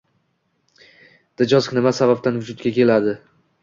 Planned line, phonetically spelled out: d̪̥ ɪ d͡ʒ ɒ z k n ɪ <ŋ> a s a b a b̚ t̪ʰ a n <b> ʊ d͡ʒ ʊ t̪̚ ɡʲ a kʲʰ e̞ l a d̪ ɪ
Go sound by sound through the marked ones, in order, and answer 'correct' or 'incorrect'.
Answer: incorrect, incorrect

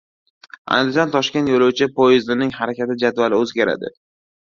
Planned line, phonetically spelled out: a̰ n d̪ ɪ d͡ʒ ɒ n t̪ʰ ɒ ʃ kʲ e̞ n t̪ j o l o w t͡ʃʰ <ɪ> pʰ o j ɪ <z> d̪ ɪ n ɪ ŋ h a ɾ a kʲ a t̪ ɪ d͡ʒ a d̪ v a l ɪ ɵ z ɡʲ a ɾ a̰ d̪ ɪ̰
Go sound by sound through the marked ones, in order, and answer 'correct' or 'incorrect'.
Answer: correct, correct

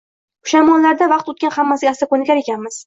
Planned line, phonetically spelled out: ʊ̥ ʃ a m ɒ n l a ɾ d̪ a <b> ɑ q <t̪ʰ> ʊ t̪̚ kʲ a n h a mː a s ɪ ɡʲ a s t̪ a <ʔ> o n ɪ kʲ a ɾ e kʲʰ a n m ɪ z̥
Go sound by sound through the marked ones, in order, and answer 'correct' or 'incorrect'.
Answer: incorrect, incorrect, incorrect

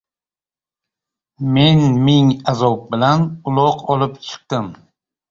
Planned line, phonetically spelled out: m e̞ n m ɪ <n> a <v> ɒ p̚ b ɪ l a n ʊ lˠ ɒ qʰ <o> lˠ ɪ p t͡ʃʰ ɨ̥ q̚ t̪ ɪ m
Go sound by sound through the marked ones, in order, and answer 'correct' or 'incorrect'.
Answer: incorrect, incorrect, incorrect

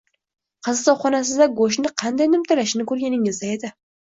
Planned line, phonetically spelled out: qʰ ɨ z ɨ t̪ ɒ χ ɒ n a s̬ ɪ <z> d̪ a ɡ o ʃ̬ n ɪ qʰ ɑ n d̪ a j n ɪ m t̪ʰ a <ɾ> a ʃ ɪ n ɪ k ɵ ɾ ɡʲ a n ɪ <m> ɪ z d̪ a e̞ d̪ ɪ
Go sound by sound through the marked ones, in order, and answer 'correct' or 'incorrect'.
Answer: correct, incorrect, incorrect

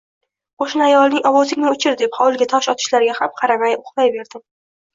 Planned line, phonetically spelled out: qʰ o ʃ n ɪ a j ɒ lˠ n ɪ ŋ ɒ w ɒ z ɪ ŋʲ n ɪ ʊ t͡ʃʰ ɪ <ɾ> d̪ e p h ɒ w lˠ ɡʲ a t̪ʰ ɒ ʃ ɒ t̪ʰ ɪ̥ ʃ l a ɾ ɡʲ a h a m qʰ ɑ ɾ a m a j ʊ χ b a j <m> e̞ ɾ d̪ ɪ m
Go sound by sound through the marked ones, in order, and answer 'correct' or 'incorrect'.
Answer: correct, incorrect

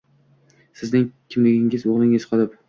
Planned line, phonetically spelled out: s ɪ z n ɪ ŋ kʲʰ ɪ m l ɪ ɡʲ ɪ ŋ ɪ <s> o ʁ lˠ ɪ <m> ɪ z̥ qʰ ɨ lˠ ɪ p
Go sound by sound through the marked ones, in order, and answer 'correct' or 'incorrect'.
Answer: incorrect, incorrect

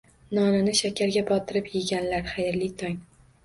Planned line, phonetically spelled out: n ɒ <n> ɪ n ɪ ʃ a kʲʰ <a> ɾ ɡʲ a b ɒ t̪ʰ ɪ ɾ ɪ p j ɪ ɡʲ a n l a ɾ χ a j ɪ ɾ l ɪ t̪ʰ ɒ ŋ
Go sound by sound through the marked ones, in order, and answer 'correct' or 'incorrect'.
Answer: correct, correct

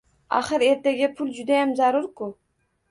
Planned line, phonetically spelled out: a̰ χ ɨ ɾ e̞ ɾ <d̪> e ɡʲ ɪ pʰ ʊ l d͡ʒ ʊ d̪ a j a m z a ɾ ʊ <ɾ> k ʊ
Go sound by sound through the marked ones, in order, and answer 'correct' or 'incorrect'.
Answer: incorrect, correct

